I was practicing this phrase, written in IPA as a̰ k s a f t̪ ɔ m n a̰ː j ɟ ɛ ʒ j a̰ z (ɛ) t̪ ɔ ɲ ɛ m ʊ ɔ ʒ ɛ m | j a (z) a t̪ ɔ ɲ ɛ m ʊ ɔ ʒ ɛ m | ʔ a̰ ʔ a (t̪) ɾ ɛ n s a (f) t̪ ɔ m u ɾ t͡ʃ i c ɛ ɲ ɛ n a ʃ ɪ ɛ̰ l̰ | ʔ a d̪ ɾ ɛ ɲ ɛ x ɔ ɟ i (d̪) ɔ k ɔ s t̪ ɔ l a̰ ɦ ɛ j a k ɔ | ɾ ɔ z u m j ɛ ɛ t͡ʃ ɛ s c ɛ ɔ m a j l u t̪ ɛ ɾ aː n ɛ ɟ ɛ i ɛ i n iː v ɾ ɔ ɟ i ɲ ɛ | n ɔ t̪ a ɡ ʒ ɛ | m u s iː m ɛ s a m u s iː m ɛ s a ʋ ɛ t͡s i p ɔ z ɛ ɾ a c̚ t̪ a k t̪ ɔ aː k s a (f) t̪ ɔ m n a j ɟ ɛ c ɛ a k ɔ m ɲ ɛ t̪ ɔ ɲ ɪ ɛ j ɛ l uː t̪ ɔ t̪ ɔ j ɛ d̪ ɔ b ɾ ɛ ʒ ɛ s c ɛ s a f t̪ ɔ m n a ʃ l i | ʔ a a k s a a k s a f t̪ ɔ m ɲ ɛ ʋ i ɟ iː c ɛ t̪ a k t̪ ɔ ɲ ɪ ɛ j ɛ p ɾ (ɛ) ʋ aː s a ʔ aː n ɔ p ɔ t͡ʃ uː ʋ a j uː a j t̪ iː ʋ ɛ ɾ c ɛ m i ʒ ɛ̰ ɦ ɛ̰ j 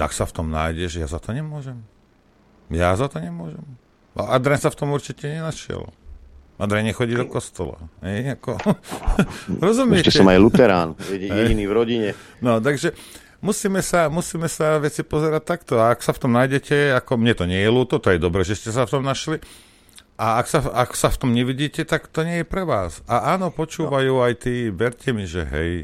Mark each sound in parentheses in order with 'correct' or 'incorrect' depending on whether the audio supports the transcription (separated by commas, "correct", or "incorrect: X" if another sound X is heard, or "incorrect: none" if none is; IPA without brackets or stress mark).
incorrect: a, correct, incorrect: d̪, correct, correct, correct, correct